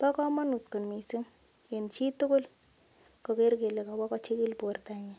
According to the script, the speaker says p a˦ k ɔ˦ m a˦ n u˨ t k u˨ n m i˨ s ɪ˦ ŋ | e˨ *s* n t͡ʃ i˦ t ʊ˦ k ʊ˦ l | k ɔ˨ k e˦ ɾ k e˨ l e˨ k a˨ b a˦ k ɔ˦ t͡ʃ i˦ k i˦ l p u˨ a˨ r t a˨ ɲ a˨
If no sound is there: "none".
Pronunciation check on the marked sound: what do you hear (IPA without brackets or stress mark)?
none